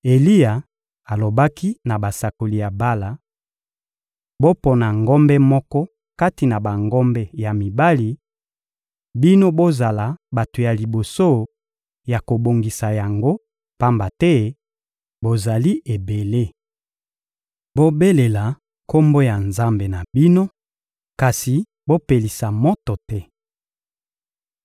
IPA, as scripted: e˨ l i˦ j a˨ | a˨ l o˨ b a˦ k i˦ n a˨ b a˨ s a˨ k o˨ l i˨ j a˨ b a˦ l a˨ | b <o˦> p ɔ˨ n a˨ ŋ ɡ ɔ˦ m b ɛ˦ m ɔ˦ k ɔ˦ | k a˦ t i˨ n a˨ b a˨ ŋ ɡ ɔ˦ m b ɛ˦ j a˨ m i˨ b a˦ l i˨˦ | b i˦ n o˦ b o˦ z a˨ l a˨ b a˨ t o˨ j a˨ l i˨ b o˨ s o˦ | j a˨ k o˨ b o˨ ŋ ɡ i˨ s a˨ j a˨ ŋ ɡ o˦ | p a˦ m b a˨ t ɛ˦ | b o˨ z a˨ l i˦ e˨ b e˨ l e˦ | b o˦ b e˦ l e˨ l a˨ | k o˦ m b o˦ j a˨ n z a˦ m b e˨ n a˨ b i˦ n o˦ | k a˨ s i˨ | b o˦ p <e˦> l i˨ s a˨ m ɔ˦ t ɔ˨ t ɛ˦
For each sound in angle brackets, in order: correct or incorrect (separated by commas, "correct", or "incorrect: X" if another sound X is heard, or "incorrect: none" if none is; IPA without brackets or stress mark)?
correct, incorrect: e˨